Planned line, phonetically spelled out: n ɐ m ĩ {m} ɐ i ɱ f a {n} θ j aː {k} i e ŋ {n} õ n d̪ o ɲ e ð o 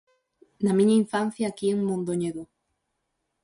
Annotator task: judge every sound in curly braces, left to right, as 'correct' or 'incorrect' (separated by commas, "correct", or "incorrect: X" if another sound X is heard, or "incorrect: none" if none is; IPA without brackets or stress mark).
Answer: incorrect: ɲ, correct, correct, incorrect: m